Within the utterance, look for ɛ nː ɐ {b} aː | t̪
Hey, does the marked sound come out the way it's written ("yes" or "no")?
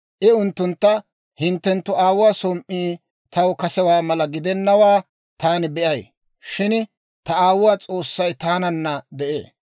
no